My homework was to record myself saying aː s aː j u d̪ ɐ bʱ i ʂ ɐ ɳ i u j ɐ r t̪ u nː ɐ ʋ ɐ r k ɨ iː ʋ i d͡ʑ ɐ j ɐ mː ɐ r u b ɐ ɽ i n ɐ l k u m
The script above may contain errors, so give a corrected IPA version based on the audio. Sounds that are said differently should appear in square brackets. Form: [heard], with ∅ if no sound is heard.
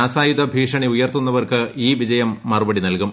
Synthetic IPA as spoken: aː s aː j u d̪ ɐ bʱ [iː] ʂ ɐ ɳ i u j ɐ r t̪ u nː ɐ ʋ ɐ r k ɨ iː ʋ i d͡ʑ ɐ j ɐ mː ɐ r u b ɐ ɽ i n ɐ l k u m